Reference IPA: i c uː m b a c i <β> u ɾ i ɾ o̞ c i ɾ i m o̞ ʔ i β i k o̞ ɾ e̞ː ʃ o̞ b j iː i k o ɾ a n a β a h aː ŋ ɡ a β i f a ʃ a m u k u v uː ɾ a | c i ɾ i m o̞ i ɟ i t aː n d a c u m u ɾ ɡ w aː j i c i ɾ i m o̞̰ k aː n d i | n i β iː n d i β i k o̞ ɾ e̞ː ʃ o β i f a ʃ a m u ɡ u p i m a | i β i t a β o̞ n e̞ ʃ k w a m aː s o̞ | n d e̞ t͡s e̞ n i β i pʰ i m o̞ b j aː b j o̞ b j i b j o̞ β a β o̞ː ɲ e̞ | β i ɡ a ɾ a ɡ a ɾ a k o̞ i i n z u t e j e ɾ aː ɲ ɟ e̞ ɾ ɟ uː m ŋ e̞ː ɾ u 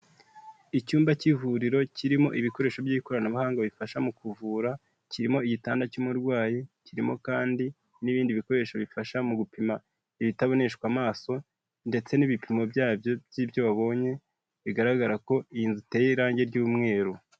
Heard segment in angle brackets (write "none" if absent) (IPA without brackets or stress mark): v